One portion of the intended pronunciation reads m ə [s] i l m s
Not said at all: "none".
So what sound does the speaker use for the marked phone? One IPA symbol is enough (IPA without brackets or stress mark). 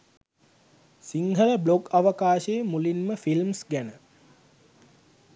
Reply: f